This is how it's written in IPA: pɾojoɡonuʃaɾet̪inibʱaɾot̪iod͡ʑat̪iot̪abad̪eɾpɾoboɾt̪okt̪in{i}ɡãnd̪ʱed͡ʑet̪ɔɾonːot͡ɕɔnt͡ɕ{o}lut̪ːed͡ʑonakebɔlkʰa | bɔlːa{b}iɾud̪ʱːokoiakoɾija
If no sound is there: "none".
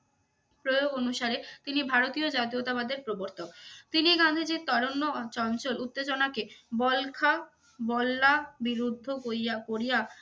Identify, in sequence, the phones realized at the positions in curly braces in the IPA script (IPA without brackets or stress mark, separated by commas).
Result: i, o, b